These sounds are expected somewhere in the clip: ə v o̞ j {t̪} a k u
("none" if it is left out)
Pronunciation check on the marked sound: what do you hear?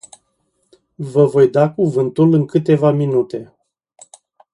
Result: d̪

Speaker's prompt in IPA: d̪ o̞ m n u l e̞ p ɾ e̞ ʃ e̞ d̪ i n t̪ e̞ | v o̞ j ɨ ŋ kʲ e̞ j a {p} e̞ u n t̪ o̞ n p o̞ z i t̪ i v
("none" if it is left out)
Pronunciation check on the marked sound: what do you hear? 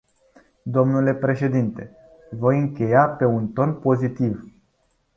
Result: p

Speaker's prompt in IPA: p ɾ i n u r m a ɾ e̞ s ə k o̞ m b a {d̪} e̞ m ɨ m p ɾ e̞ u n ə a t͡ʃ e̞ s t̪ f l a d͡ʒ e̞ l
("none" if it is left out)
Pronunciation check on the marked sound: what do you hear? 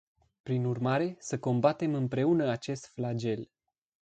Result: t̪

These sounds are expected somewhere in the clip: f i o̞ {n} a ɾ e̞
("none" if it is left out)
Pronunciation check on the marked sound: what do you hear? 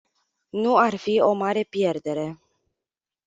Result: m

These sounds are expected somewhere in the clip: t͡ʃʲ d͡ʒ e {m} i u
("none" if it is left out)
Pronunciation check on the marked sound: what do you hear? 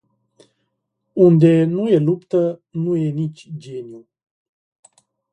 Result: n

